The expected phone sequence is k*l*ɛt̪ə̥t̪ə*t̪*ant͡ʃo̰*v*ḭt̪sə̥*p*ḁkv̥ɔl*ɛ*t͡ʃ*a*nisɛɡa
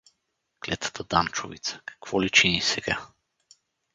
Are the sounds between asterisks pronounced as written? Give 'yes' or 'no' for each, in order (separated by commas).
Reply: yes, no, yes, no, no, no